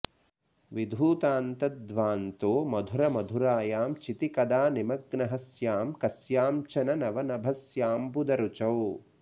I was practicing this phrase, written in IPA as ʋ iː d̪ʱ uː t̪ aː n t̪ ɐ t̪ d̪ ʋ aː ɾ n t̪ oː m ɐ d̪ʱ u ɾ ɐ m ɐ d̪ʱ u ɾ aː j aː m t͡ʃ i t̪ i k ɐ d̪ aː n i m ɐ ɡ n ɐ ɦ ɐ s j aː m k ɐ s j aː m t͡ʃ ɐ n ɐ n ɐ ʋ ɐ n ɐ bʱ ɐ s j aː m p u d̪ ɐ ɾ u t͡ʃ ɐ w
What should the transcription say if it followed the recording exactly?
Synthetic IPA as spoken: ʋ i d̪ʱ uː t̪ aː n t̪ ɐ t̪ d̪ ʋ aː n t̪ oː m ɐ d̪ʱ u ɾ ɐ m ɐ d̪ʱ u ɾ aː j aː m t͡ʃ i t̪ i k ɐ d̪ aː n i m ɐ ɡ n ɐ ɦ ɐ s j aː m k ɐ s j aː m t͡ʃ ɐ n ɐ n ɐ ʋ ɐ n ɐ bʱ ɐ s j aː m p u d̪ ɐ ɾ u t͡ʃ ɐ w